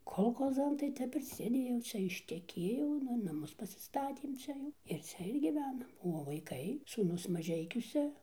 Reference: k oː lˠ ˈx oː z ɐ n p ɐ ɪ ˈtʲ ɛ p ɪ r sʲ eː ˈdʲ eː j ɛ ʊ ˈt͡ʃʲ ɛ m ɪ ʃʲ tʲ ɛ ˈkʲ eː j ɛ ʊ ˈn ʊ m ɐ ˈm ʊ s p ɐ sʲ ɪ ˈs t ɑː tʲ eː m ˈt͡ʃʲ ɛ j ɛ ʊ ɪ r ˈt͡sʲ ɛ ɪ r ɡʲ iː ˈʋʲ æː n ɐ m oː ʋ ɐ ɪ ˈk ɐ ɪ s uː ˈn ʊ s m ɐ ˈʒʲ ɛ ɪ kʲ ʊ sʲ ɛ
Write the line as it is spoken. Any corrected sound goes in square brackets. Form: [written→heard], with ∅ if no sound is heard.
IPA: k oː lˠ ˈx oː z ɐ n [p→t] ɐ ɪ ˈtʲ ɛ p ɪ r sʲ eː ˈdʲ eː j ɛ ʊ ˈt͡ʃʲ ɛ [m→∅] ɪ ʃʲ tʲ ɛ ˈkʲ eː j ɛ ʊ ˈn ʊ [m→n] ɐ ˈm ʊ s p ɐ sʲ ɪ ˈs t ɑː tʲ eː m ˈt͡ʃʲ ɛ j ɛ ʊ ɪ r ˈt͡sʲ ɛ ɪ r ɡʲ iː ˈʋʲ æː n ɐ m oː ʋ ɐ ɪ ˈk ɐ ɪ s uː ˈn ʊ s m ɐ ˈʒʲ ɛ ɪ kʲ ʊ sʲ ɛ